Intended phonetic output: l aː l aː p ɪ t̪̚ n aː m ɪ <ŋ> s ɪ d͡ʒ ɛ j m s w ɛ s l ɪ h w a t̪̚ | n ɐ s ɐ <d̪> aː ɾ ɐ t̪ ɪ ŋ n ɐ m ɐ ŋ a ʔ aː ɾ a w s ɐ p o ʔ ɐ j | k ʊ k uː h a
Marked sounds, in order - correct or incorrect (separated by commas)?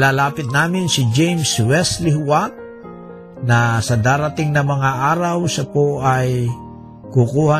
incorrect, correct